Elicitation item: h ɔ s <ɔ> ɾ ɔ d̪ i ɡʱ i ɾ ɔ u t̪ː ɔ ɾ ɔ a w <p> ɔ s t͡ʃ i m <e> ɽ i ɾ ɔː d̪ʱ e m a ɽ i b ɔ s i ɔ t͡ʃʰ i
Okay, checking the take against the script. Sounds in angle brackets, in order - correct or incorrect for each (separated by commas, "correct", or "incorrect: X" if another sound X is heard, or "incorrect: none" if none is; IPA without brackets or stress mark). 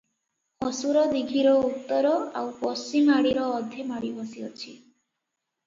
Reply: incorrect: u, correct, incorrect: a